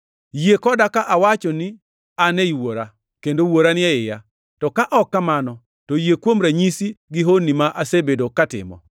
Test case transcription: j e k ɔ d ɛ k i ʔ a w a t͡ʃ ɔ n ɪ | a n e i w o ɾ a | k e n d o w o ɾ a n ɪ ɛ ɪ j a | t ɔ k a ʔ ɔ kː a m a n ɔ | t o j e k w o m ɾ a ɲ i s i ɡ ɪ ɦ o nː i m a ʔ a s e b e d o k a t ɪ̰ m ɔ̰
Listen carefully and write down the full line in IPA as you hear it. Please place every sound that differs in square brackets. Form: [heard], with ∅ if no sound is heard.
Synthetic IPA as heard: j e k ɔ d [a] k [a] ʔ a w a t͡ʃ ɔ n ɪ | a n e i w o ɾ a | k e n d o w o ɾ a n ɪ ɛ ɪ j a | t ɔ k a ʔ ɔ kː a m a n ɔ | t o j e k w o m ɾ a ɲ i s i ɡ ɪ ɦ o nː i m a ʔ a s e b e d o k a t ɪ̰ m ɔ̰